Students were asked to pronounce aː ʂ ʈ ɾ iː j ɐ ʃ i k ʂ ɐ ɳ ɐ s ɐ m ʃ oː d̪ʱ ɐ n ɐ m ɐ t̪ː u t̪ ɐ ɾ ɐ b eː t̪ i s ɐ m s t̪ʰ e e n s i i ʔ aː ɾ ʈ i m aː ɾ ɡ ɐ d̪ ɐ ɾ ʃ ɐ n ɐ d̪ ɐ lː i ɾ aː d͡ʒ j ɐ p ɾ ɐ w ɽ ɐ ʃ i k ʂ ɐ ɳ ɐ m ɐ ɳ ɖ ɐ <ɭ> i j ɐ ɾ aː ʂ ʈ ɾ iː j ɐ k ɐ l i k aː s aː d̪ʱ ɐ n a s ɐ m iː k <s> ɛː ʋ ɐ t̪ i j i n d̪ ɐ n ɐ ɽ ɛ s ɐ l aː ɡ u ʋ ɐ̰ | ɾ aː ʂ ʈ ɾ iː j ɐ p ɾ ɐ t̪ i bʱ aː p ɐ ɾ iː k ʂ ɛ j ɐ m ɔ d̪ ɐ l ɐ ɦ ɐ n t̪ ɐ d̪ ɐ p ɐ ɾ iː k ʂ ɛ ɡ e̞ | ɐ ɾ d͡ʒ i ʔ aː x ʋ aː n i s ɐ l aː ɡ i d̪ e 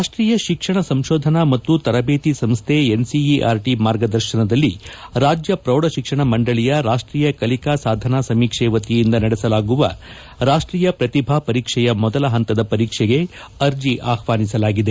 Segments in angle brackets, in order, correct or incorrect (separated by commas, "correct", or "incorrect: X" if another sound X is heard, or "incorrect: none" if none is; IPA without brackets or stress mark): correct, incorrect: ʂ